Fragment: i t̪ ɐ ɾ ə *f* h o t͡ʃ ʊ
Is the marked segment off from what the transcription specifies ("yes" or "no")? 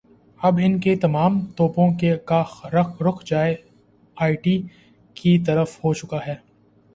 no